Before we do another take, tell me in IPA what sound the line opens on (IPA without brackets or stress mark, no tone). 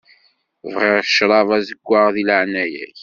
v